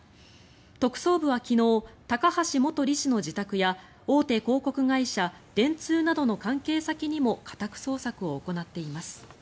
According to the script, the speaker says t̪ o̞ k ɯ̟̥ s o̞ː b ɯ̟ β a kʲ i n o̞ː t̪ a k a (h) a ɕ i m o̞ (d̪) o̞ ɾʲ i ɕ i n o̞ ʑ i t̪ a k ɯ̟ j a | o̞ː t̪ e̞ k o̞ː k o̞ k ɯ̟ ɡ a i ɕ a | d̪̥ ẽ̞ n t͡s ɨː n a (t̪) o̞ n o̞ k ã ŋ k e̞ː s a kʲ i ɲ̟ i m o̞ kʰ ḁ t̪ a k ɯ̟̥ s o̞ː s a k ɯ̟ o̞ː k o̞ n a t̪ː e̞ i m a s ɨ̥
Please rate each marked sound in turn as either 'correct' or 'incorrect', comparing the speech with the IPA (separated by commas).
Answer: correct, incorrect, incorrect